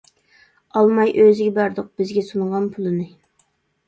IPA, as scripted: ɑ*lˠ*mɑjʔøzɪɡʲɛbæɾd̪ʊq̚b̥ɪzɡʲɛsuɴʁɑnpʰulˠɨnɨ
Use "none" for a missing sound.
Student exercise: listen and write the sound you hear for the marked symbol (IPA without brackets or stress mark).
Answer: lˠ